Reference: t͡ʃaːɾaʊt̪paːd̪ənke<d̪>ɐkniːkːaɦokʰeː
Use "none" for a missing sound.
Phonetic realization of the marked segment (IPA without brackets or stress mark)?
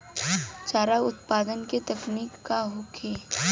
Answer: t̪